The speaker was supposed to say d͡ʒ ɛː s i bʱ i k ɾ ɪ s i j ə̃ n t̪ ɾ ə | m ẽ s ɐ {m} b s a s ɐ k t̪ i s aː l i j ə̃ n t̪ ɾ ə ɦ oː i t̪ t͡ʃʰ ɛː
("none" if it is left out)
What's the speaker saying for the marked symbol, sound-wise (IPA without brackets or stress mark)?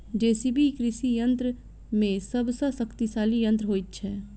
none